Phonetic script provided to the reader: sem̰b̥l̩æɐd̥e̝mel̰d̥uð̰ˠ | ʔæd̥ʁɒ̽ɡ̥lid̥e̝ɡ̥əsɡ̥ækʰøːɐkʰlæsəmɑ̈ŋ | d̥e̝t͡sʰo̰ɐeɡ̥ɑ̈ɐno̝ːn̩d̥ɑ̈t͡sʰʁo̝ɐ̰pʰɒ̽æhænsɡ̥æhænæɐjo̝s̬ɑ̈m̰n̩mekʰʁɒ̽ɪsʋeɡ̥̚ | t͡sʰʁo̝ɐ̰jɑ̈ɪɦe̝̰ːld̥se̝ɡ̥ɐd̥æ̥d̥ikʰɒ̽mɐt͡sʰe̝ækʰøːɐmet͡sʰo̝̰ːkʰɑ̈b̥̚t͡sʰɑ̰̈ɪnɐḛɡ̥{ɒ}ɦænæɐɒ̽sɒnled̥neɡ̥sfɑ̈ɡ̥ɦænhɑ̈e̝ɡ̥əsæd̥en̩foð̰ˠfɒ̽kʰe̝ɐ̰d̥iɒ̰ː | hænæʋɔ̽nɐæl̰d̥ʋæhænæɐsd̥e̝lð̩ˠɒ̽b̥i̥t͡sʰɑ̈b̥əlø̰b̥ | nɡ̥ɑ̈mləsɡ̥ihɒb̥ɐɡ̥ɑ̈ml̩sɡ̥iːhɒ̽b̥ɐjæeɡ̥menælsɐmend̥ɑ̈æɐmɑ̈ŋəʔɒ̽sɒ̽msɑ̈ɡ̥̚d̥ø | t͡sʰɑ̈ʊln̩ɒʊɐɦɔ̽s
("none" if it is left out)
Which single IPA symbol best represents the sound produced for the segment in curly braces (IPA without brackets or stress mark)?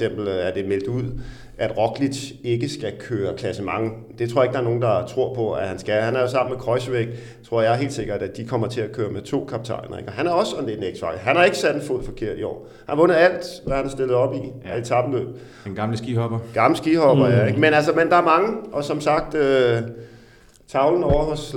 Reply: ɒ